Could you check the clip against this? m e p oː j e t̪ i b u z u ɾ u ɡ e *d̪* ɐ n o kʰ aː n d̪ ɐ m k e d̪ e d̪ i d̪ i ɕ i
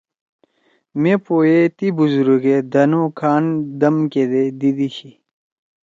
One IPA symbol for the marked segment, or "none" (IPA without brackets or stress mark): d̪